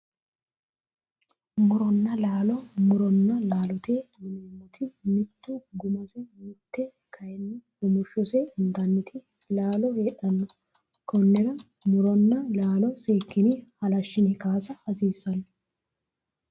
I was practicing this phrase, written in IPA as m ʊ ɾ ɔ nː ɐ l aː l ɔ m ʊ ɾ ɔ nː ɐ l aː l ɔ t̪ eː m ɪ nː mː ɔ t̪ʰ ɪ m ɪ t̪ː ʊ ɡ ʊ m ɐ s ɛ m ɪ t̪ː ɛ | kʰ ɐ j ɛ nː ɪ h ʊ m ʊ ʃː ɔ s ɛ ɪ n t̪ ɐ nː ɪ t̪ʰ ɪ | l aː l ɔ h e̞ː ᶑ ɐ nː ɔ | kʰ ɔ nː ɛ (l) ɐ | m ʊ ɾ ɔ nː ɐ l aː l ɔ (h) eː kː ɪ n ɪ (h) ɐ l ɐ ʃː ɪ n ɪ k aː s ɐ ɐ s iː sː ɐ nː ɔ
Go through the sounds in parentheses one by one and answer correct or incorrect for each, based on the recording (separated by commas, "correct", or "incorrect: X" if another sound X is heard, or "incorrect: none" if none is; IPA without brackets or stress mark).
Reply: incorrect: ɾ, incorrect: s, correct